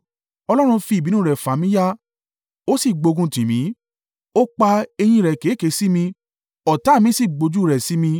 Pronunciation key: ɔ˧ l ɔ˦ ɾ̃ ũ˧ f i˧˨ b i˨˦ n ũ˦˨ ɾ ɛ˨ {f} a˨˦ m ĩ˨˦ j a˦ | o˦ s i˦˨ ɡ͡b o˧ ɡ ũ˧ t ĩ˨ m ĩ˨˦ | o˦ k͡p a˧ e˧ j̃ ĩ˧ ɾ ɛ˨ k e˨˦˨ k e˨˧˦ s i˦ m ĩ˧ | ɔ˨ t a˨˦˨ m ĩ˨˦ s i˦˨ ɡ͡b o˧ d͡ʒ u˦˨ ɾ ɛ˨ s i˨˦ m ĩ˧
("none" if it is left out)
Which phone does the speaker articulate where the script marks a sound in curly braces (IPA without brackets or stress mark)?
f